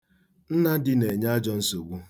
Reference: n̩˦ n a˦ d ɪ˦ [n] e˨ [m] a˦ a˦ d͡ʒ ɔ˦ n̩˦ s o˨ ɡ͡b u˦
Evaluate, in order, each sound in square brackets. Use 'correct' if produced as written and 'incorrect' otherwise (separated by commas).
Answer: correct, incorrect